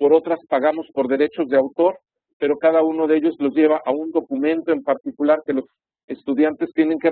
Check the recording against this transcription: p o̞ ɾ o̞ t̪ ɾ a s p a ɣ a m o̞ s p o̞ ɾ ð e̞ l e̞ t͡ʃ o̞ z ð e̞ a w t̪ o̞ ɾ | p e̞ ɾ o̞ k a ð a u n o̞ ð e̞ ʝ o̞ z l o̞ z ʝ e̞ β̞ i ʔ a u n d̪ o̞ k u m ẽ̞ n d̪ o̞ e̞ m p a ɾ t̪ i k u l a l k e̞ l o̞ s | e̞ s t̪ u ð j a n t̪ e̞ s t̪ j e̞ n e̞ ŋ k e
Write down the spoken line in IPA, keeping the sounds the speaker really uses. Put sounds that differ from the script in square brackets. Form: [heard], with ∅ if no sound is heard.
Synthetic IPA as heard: p o̞ ɾ o̞ t̪ ɾ a s p a ɣ a m o̞ s p o̞ ɾ ð e̞ [ɾ] e̞ t͡ʃ o̞ z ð e̞ a w t̪ o̞ ɾ | p e̞ ɾ o̞ k a ð a u n o̞ ð e̞ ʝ o̞ z l o̞ z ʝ e̞ β̞ [a] ʔ a u n d̪ o̞ k u m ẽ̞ n [t̪] o̞ e̞ m p a ɾ t̪ i k u l a [ɾ] k e̞ l o̞ s | e̞ s t̪ u ð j a n t̪ e̞ s t̪ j e̞ n e̞ ŋ k e

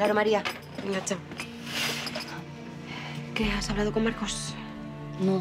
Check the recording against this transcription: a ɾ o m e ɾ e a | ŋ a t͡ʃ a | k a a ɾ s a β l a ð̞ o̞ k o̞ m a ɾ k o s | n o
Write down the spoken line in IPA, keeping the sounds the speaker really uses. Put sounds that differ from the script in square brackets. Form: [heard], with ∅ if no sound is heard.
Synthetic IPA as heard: a ɾ o m [a] ɾ [i] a | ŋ a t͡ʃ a | k [e] a [∅] s a β l a ð̞ o̞ k o̞ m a ɾ k o s | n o

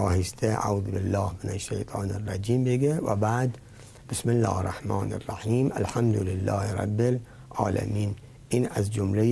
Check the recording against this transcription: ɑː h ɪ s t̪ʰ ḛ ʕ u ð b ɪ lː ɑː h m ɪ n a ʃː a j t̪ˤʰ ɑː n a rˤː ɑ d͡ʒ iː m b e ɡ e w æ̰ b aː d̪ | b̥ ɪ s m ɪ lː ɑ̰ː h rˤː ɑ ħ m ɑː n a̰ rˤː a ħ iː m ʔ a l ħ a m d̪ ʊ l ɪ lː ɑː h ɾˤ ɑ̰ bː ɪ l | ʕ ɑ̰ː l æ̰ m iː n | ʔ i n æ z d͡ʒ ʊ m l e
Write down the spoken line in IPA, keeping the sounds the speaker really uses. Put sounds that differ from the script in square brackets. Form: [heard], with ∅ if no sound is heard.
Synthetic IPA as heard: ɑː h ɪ s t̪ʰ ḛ ʕ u ð b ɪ lː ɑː h m ɪ n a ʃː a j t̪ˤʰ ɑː n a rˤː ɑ d͡ʒ iː m b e ɡ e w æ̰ b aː d̪ | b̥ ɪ s m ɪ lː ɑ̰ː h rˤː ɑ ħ m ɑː n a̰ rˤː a ħ iː m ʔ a l ħ a m d̪ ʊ l ɪ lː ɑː h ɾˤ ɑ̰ bː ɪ l | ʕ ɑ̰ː l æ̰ m iː n | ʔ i n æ z d͡ʒ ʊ m l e

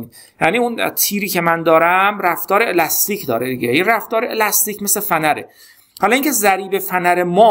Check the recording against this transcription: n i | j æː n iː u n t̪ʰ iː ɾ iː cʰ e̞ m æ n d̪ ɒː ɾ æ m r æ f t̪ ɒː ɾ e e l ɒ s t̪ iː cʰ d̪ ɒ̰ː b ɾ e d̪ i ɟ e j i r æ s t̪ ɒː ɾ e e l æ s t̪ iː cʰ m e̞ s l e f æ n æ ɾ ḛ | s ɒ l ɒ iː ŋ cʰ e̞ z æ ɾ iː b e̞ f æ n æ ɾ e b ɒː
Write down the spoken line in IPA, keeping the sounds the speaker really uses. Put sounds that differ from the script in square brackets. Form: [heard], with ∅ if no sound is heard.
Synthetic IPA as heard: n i | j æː n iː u n t̪ʰ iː ɾ iː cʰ e̞ m æ n d̪ ɒː ɾ æ m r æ f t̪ ɒː ɾ e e l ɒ s t̪ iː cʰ d̪ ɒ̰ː [∅] ɾ e d̪ i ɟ e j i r æ [f] t̪ ɒː ɾ e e l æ s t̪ iː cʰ m e̞ s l e f æ n æ ɾ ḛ | [h] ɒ l ɒ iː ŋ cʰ e̞ z æ ɾ iː b e̞ f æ n æ ɾ e [m] ɒː

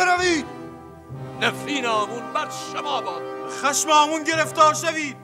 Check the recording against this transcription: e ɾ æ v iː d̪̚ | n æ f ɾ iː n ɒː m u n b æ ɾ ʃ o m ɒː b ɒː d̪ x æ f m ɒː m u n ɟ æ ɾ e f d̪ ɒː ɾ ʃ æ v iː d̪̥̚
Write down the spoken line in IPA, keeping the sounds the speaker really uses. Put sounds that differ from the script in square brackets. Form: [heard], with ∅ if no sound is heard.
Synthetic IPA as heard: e ɾ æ v iː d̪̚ | n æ f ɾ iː n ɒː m u n b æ ɾ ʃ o m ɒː b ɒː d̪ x æ [ʃ] m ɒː m u n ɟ [e] ɾ e f [t̪] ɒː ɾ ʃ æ v iː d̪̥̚

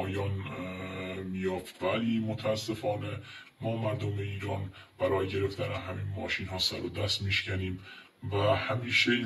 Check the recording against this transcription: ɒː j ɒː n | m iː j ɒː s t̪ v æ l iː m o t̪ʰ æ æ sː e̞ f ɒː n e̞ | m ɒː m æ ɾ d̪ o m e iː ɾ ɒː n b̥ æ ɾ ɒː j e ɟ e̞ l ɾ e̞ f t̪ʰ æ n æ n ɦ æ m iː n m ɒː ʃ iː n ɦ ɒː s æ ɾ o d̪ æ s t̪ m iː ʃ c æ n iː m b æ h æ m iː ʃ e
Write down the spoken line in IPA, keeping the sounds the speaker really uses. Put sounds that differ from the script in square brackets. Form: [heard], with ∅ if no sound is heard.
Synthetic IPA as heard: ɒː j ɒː n | m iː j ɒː [f] t̪ v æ l iː m o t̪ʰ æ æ sː e̞ f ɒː n e̞ | m ɒː m æ ɾ d̪ o m e iː ɾ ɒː n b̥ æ ɾ ɒː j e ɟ e̞ [∅] ɾ e̞ f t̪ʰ æ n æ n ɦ æ m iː n m ɒː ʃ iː n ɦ ɒː s æ ɾ o d̪ æ s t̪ m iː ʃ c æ n iː m [v] æ h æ m iː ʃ e

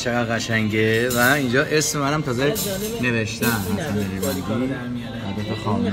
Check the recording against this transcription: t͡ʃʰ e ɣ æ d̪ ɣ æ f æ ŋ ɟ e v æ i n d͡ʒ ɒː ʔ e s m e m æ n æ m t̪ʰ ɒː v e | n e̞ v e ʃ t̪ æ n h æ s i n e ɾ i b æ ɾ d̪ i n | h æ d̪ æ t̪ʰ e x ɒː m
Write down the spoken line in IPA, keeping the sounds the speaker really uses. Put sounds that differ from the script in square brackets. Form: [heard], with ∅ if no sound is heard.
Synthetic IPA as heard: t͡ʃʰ e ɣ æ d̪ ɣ æ [ʃ] æ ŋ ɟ e v æ i n d͡ʒ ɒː ʔ e s m e m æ n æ m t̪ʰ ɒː [z] e | n e̞ v e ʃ t̪ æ n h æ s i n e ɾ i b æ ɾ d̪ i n | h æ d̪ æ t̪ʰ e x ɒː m

